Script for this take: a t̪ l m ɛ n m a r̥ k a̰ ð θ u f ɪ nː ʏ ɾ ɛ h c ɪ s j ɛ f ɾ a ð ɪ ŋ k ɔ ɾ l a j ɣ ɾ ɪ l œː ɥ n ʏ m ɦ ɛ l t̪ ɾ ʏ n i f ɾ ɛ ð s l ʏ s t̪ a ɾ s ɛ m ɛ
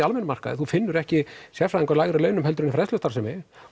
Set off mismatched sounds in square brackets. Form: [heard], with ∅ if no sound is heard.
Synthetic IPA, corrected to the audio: a [∅] l m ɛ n m a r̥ k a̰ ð θ u f ɪ nː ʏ ɾ ɛ h c ɪ s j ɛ f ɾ a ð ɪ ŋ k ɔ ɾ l a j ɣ ɾ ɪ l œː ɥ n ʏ m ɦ ɛ l t̪ ɾ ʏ n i f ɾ ɛ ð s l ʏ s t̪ a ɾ s ɛ m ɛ